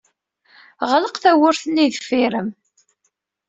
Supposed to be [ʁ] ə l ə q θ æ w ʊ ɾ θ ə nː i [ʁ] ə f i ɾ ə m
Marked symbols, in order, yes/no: yes, no

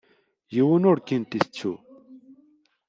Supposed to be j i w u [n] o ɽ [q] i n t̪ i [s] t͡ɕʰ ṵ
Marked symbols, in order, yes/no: yes, no, yes

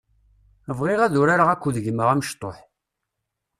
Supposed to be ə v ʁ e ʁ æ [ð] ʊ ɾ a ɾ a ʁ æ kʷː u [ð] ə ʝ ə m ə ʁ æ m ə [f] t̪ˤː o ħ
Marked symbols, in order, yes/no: yes, yes, no

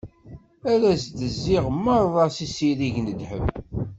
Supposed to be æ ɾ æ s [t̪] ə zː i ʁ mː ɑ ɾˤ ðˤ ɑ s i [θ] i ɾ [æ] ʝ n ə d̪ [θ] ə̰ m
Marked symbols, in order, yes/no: no, no, no, no

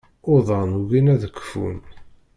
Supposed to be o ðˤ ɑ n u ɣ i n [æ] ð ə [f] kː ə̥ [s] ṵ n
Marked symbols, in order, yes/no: yes, no, no

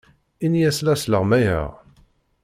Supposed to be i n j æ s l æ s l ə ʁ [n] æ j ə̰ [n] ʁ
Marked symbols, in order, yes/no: no, no

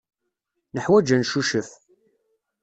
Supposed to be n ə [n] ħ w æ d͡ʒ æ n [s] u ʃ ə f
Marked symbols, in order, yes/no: no, no

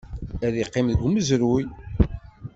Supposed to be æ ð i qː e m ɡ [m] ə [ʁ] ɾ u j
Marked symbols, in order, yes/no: yes, no

